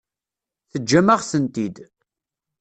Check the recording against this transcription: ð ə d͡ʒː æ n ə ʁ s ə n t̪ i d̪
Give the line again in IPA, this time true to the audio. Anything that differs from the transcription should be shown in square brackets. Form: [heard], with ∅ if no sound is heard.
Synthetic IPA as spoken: [θ] ə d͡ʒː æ [m] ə ʁ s ə n t̪ i d̪